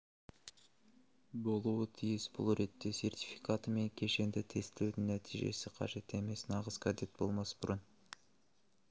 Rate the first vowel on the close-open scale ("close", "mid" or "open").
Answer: mid